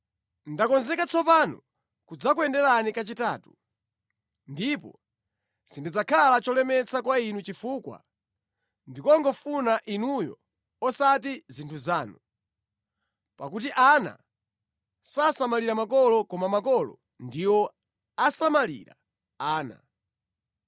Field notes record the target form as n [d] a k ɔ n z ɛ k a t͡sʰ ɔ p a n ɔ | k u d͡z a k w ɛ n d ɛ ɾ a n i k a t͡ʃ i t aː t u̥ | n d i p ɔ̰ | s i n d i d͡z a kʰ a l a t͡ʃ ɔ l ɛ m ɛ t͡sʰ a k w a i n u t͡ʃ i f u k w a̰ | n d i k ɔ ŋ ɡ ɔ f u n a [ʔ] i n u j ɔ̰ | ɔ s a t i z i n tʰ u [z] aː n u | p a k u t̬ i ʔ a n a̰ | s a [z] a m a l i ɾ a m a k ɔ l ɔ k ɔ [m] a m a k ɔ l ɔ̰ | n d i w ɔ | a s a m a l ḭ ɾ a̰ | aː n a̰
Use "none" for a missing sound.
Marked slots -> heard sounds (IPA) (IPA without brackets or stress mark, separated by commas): d, ʔ, z, s, m